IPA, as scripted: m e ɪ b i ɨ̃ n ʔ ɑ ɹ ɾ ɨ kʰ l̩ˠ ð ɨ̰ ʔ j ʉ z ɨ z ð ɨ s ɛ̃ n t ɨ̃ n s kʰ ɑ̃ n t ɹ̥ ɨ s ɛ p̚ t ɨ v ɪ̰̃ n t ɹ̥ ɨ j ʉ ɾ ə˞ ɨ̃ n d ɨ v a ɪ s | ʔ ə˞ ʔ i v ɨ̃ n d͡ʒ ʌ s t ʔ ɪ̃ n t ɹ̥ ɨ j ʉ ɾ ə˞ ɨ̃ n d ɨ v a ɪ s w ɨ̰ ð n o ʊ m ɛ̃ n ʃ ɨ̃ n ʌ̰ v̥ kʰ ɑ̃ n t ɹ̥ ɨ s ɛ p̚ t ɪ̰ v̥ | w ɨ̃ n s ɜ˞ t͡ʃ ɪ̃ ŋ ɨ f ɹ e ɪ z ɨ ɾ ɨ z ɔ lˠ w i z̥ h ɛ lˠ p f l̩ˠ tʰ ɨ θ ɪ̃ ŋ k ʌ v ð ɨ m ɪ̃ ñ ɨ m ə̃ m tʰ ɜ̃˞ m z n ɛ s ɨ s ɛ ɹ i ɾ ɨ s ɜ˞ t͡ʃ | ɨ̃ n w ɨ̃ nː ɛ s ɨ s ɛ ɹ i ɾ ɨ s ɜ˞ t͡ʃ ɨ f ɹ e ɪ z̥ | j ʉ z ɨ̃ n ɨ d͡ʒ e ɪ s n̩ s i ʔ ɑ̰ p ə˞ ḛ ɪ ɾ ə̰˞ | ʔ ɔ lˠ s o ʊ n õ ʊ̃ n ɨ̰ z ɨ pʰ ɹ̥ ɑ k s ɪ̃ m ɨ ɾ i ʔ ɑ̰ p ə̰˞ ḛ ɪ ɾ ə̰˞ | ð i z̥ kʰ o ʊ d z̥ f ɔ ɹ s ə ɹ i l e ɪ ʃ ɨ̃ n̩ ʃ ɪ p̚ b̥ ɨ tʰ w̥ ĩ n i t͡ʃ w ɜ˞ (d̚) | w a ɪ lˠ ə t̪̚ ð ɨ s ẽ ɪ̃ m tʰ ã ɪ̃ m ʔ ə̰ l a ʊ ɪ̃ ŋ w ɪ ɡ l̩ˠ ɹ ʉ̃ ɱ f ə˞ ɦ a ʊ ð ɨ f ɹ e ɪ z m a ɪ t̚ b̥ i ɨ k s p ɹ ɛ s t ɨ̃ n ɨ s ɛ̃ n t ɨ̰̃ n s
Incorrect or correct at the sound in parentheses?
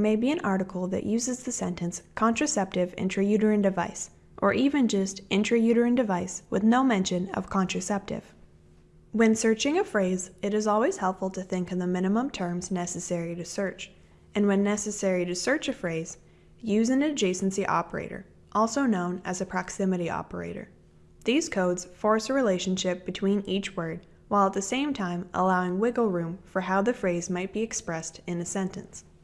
correct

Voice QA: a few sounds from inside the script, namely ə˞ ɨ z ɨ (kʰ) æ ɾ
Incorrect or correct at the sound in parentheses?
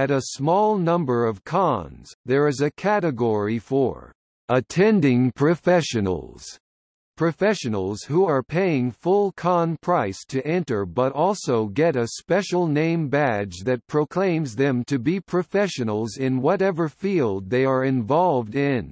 correct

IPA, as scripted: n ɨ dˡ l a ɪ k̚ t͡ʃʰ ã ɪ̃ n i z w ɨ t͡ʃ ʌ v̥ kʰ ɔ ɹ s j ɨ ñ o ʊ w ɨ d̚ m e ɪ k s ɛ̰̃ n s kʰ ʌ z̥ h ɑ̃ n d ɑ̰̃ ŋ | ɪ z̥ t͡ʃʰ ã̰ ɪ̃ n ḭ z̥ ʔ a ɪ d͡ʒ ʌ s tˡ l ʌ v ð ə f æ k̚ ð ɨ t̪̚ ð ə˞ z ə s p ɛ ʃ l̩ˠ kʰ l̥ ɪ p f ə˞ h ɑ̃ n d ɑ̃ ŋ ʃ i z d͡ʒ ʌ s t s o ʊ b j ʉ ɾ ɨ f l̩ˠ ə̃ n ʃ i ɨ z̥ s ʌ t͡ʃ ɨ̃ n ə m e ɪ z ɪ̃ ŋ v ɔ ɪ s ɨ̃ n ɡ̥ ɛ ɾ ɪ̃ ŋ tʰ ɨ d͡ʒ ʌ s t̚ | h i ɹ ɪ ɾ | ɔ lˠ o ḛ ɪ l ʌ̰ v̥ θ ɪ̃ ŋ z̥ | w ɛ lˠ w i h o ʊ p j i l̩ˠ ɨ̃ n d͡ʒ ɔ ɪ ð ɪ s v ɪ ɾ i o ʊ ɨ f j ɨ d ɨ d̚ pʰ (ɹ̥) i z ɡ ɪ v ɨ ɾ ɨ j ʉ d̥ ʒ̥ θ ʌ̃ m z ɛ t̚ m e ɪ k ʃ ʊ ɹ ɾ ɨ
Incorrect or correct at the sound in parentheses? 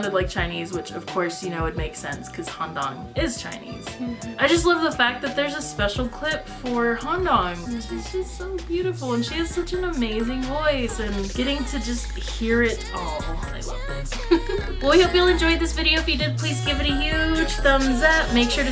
incorrect: l̥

